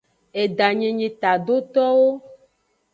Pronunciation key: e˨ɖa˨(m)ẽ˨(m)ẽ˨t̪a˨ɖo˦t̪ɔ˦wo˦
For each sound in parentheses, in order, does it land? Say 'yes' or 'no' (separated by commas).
no, no